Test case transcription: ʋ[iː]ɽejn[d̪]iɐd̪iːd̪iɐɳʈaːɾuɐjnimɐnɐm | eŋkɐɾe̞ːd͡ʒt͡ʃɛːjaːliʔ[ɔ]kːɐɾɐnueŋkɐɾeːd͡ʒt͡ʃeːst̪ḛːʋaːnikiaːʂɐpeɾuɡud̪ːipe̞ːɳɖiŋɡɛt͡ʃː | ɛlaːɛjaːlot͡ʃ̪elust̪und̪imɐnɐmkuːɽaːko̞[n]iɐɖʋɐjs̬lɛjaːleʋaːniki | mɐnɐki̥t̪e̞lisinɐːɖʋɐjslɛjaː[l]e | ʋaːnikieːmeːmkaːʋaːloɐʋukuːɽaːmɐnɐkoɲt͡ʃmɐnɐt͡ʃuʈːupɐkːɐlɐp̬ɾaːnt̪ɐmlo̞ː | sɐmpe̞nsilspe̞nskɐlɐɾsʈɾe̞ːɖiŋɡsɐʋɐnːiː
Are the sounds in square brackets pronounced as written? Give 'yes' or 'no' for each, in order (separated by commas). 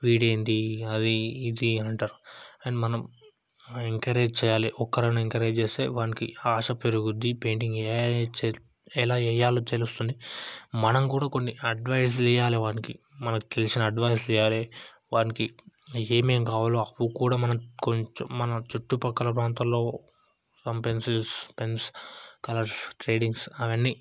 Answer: yes, yes, yes, no, yes